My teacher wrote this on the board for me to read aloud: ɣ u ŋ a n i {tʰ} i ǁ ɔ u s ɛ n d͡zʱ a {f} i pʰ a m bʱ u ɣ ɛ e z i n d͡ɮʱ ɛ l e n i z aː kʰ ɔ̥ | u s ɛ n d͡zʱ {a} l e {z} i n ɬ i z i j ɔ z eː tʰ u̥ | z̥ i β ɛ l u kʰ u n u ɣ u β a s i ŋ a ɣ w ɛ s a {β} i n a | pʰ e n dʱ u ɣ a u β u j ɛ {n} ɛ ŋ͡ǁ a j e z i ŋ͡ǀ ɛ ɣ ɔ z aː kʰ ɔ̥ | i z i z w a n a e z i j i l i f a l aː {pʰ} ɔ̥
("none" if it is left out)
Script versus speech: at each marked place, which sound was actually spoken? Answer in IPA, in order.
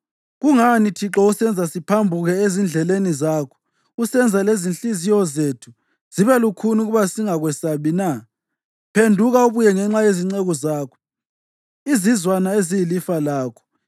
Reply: tʰ, s, a, z, β, ŋ, kʰ

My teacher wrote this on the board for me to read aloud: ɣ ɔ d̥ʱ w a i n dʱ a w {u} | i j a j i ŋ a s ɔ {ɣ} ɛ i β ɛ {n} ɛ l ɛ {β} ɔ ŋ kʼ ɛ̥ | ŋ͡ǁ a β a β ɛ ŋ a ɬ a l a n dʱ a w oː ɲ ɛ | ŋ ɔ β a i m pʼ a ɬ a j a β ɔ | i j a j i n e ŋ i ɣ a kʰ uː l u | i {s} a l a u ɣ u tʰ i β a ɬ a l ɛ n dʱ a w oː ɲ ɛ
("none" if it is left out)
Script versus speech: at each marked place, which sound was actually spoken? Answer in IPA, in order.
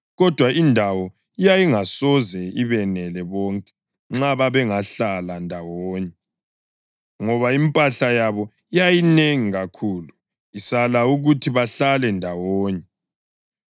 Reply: ɔ, z, n, β, s

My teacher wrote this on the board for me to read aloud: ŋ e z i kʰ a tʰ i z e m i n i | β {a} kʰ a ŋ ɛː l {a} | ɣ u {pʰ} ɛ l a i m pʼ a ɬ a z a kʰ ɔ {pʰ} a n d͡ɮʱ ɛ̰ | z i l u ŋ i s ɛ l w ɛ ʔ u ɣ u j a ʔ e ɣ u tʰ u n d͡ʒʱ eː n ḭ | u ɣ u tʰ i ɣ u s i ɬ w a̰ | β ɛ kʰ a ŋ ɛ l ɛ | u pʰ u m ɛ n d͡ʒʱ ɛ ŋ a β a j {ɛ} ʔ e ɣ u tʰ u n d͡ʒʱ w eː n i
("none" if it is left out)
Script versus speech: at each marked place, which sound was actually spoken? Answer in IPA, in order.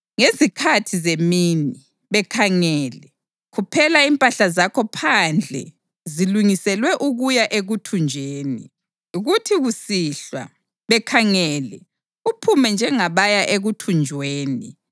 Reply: ɛ, ɛ, pʰ, pʰ, a

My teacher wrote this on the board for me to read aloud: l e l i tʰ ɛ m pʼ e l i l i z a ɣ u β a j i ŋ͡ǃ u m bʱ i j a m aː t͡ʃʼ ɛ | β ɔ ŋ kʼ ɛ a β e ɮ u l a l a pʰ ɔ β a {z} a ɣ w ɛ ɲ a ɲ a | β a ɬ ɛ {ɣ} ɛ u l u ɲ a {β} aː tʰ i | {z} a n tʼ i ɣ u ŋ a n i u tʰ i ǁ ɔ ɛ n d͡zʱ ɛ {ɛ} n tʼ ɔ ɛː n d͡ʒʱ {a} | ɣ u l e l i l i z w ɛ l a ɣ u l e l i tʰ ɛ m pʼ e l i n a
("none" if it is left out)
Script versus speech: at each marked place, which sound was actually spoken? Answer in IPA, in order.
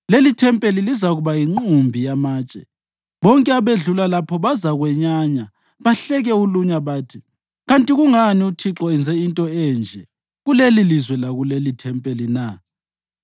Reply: z, ɣ, β, ɣ, i, ɛ

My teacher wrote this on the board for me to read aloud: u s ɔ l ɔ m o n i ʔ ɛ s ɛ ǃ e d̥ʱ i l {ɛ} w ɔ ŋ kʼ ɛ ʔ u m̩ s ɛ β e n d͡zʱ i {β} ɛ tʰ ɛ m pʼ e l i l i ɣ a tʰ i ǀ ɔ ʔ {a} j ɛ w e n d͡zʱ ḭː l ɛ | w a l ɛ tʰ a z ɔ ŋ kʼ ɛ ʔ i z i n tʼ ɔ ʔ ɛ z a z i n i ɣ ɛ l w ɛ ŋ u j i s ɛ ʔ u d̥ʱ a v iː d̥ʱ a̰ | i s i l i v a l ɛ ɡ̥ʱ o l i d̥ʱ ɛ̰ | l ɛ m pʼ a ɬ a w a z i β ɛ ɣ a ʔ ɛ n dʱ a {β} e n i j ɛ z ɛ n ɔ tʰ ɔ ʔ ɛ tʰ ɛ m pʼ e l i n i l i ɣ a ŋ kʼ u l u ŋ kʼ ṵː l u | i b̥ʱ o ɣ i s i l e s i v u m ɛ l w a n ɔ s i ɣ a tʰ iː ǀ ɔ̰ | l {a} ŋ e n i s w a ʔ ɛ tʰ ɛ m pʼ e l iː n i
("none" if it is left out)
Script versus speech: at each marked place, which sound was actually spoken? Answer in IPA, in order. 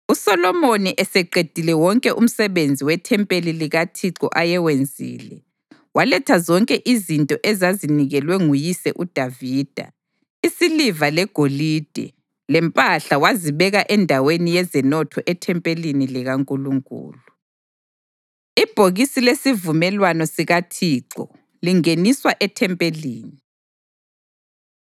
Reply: ɛ, w, a, w, i

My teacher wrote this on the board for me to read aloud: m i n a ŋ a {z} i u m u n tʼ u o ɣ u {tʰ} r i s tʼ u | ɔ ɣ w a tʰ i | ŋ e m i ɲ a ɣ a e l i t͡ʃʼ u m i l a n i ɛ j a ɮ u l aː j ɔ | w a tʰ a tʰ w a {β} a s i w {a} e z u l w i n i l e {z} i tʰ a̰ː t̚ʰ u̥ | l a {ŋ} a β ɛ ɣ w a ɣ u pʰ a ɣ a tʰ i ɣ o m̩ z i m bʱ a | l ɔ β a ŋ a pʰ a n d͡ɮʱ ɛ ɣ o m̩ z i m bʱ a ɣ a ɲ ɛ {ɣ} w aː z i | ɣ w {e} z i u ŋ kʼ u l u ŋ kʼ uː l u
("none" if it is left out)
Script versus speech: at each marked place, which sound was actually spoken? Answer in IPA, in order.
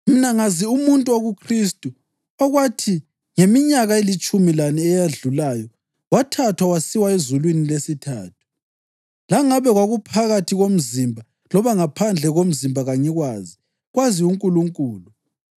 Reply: z, kʰ, w, a, s, ŋ, ɣ, a

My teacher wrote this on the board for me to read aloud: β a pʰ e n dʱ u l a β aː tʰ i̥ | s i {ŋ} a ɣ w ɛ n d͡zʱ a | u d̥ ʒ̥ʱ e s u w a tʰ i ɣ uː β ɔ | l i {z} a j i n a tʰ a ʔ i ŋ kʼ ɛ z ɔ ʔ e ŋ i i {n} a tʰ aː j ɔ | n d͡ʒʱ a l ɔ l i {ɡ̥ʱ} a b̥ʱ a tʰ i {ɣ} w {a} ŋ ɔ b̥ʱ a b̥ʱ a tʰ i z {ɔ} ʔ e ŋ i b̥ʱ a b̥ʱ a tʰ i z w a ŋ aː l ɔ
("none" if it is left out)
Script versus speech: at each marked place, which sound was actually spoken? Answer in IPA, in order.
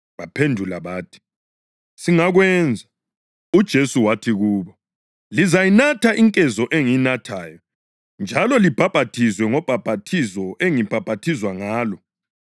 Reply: ŋ, z, n, b̥ʱ, z, ɛ, ɔ

